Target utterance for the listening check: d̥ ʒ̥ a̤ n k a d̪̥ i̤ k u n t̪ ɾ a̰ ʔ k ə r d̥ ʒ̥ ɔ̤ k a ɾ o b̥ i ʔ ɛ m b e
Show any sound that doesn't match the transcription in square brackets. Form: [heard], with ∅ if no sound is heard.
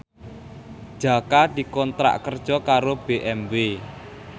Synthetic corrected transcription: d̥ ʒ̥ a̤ [∅] k a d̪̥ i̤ k [ɔ] n t̪ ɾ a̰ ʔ k ə r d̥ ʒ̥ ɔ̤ k a ɾ o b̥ [e] ʔ ɛ m b e